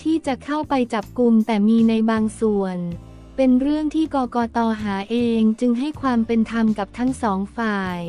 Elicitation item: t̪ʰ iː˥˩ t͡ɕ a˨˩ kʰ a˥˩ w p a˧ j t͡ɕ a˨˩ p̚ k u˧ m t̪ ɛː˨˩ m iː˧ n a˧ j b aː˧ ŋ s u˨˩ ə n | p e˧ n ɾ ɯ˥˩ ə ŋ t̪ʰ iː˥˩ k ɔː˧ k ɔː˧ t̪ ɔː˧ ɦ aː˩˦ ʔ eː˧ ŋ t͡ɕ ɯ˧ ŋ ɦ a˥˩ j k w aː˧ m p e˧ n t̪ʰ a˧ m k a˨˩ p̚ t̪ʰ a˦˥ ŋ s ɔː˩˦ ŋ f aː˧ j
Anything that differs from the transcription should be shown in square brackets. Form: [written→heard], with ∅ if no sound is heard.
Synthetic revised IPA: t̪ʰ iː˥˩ t͡ɕ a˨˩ kʰ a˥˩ w p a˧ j t͡ɕ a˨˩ p̚ k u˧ m t̪ ɛː˨˩ m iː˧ n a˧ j b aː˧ ŋ s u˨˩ ə n | p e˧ n ɾ ɯ˥˩ ə ŋ t̪ʰ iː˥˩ k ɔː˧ k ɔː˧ t̪ ɔː˧ ɦ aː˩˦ ʔ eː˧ ŋ t͡ɕ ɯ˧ ŋ ɦ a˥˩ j [k→kʰ] w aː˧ m p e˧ n t̪ʰ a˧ m k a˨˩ p̚ t̪ʰ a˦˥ ŋ s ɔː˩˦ ŋ f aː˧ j